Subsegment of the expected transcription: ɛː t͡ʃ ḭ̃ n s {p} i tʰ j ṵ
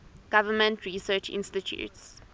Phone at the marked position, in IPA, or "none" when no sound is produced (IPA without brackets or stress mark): t